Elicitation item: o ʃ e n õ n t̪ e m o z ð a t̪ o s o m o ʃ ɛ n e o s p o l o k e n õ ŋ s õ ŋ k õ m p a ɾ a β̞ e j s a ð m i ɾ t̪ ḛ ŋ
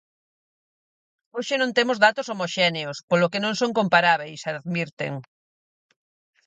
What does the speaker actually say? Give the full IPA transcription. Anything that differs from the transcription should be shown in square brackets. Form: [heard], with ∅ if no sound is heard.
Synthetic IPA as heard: o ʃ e n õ n t̪ e m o z ð a t̪ o s o m o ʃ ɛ n e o s p o l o k e n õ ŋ s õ ŋ k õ m p a ɾ a β̞ e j s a ð m i ɾ t̪ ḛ ŋ